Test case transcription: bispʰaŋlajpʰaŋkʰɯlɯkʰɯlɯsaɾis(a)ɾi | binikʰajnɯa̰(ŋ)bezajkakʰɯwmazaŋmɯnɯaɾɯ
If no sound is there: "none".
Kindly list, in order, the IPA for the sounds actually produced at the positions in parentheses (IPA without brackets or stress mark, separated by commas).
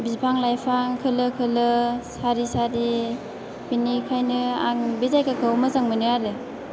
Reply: a, ŋ